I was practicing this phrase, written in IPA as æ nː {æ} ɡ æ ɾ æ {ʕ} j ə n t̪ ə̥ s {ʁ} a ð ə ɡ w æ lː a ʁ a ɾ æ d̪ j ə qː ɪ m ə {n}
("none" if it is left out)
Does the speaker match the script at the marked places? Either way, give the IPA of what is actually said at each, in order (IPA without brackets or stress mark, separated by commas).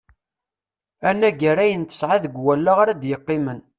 æ, none, ʕ, n